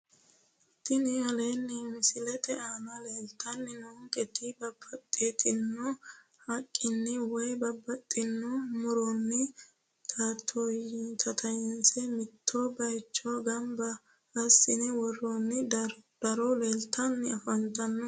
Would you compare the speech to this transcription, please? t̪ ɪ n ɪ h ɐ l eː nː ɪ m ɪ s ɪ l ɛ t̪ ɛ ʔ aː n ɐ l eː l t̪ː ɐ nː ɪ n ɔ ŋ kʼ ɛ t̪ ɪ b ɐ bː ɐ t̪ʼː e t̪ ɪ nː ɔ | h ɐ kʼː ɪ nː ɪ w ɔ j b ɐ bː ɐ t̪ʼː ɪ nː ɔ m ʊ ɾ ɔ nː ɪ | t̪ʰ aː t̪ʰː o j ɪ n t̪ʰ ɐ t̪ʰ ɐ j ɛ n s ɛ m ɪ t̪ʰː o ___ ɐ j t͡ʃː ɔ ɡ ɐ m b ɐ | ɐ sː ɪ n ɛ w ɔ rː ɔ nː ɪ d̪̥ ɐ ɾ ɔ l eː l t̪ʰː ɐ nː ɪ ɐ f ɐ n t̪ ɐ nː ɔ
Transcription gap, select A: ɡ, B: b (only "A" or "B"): B